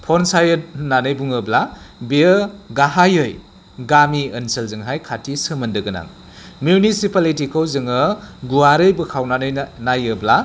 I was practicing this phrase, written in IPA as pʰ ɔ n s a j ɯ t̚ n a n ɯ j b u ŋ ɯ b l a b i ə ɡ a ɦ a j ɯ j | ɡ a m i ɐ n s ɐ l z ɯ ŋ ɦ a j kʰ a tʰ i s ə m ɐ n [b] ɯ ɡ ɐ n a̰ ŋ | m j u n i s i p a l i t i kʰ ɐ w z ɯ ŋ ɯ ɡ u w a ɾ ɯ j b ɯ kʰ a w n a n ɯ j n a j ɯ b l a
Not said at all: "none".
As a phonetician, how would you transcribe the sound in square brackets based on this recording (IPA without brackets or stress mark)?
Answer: d